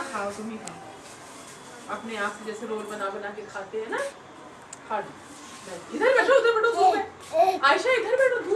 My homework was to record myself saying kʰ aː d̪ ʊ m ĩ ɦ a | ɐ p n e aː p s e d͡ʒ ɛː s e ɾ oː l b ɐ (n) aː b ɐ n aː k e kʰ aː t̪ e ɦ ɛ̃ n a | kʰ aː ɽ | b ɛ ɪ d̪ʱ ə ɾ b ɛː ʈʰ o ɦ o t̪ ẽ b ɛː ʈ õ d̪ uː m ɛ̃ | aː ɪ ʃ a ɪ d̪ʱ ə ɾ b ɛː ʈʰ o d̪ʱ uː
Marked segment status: correct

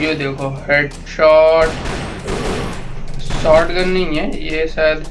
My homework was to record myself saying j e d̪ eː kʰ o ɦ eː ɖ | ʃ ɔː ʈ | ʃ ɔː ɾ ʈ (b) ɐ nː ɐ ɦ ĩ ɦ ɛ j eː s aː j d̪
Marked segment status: incorrect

